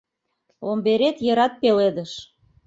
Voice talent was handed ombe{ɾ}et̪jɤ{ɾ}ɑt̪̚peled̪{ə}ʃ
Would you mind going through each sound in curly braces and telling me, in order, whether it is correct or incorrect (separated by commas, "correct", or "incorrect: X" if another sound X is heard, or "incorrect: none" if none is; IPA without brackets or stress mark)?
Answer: correct, correct, correct